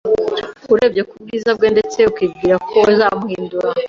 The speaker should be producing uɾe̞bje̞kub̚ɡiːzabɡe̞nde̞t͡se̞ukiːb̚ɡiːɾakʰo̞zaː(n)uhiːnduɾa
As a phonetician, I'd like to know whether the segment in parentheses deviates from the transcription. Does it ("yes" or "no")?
yes